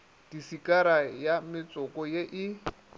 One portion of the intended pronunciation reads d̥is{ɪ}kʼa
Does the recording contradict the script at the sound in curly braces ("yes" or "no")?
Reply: yes